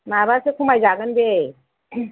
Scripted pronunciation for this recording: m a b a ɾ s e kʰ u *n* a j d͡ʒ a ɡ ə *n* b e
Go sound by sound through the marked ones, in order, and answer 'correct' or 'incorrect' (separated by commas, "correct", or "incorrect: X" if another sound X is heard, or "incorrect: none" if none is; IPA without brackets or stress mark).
incorrect: m, correct